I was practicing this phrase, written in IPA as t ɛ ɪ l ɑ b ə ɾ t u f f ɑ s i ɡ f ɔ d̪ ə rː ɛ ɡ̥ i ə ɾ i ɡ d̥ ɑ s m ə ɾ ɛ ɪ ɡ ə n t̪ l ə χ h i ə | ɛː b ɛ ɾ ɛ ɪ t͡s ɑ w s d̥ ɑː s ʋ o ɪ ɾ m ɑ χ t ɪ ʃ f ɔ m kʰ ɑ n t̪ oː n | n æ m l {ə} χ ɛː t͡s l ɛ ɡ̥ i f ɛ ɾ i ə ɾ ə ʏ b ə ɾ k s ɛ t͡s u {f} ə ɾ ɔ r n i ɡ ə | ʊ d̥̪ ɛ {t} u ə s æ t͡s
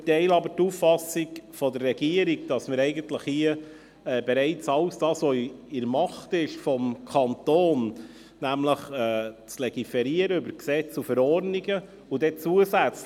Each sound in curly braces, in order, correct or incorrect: correct, correct, incorrect: t͡s

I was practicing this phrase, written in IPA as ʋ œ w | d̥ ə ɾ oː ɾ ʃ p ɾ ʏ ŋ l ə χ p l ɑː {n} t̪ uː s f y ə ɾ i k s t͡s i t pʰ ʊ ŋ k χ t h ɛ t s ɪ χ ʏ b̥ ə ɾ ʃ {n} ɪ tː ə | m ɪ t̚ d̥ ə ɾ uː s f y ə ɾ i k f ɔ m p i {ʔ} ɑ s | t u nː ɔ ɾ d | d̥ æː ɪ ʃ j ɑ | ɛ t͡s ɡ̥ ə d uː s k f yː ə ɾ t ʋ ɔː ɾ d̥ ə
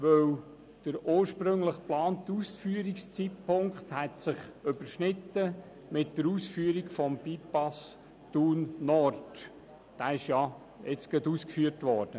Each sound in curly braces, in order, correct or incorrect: correct, correct, incorrect: p

